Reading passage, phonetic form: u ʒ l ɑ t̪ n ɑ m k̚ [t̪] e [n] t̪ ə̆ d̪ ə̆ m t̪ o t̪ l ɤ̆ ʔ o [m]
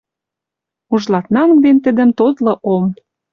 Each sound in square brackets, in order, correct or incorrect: incorrect, correct, correct

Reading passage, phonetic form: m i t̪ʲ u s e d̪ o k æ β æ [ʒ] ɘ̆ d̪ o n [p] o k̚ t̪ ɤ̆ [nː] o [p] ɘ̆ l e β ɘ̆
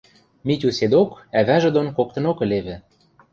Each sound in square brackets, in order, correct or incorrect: correct, incorrect, incorrect, incorrect

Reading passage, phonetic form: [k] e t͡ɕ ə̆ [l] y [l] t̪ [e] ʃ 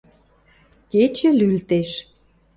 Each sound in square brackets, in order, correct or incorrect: correct, correct, correct, correct

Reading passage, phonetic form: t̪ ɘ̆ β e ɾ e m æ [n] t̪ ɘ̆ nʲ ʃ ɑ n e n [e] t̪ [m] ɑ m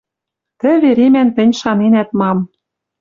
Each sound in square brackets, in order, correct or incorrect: correct, incorrect, correct

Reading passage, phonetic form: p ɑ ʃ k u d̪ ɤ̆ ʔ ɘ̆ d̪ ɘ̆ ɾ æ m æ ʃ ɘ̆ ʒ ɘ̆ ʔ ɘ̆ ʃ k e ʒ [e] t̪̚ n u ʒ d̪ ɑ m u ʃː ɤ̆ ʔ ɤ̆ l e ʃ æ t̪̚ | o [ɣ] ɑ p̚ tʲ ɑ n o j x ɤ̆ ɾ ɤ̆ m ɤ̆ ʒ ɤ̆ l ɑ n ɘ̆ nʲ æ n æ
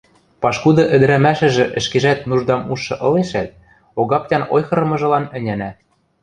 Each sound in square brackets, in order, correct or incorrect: incorrect, correct

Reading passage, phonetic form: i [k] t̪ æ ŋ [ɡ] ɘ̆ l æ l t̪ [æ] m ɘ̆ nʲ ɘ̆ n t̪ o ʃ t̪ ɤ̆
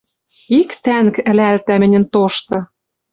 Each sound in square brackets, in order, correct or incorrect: correct, incorrect, correct

